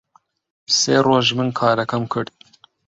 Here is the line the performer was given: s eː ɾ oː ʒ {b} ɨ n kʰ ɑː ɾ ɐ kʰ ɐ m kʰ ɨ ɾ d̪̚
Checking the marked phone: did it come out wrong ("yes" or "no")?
yes